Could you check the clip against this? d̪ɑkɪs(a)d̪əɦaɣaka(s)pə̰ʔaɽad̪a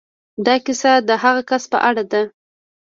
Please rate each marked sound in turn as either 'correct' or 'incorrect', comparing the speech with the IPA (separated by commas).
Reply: correct, correct